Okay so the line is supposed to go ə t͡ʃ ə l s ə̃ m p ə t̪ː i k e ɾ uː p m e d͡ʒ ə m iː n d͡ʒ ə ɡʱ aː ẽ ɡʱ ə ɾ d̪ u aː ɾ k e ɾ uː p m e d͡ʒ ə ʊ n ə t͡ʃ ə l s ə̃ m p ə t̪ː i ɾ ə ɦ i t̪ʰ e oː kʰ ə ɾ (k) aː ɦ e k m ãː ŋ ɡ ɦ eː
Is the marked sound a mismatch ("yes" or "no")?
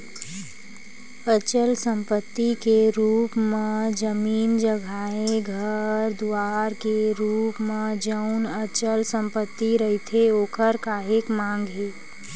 no